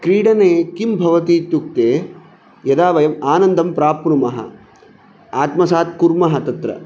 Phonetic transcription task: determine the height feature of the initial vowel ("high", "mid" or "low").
high